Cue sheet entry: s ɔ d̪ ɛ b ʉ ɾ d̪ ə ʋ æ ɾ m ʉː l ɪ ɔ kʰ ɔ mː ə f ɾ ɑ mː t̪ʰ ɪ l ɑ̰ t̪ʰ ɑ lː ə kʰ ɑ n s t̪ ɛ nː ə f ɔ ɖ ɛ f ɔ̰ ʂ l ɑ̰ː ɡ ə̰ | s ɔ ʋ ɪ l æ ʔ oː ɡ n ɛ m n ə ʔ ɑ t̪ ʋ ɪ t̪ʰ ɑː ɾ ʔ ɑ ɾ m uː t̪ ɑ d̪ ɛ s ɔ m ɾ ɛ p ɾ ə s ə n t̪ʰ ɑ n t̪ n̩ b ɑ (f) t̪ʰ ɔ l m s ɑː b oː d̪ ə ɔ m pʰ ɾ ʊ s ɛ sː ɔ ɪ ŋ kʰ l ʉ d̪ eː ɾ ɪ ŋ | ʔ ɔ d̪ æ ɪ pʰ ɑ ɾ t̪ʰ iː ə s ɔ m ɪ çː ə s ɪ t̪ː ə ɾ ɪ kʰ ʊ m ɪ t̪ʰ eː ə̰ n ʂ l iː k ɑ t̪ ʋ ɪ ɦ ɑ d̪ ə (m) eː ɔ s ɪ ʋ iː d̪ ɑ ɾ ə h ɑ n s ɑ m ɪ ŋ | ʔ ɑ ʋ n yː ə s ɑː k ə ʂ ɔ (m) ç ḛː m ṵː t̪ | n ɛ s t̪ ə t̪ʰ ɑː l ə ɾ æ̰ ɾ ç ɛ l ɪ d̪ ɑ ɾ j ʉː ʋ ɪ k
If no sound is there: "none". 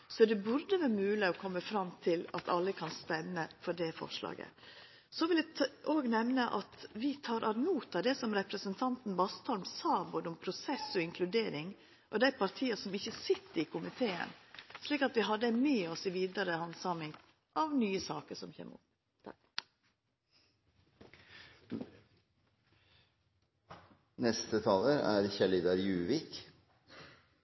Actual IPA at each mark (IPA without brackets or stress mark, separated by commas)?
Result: s, m, m